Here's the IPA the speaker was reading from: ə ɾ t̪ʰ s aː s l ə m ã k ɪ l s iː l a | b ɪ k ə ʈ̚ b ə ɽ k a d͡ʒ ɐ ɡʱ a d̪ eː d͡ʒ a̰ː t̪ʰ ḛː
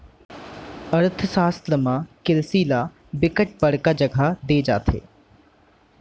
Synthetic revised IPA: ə ɾ t̪ʰ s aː s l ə m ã k ɪ l s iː l a | b ɪ k ə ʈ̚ b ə ɽ k a d͡ʒ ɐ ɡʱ a d̪ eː d͡ʒ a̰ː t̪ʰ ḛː